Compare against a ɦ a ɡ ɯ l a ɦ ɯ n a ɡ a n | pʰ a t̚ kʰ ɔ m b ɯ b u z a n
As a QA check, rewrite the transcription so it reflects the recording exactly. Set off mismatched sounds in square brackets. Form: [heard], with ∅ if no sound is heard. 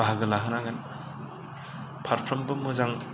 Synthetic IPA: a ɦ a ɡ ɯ l a ɦ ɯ n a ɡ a n | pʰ a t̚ [pʰ] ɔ m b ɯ [m] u z a [ŋ]